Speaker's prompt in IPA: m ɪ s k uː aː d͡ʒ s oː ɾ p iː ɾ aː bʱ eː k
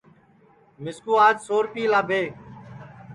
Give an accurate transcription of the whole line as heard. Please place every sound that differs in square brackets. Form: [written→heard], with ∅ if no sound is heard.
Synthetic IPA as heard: m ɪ s k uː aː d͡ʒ s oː ɾ p iː [ɾ→l] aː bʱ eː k